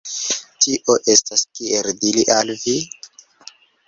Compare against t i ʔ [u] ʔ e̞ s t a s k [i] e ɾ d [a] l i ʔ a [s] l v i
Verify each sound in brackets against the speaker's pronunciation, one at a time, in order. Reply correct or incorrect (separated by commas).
incorrect, correct, incorrect, incorrect